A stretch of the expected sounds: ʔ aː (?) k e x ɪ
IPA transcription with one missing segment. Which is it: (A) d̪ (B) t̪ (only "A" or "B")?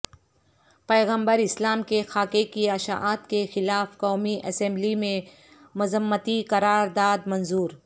B